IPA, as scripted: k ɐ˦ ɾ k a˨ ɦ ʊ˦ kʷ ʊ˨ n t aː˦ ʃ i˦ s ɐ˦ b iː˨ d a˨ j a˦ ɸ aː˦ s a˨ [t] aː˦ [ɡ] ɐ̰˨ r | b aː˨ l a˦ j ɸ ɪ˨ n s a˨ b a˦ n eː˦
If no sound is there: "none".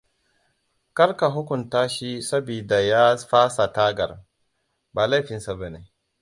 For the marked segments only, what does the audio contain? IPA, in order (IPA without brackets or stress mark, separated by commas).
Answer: t, ɡ